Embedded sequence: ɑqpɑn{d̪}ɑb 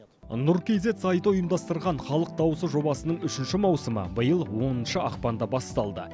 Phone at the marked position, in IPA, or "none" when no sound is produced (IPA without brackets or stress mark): d̪